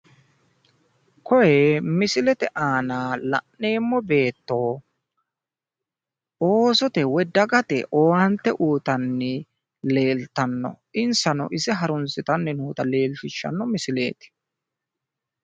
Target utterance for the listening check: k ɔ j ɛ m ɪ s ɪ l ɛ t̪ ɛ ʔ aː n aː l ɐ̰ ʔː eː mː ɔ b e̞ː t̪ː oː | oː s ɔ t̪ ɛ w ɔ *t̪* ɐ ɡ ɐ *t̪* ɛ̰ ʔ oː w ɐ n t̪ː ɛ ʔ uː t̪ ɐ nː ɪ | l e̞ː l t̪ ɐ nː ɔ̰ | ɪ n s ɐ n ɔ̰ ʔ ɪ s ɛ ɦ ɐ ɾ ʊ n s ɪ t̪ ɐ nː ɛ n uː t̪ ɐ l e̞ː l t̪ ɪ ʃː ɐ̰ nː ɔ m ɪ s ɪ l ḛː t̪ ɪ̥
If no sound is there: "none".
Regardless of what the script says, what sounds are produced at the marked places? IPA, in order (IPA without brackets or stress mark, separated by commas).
d̪, t̪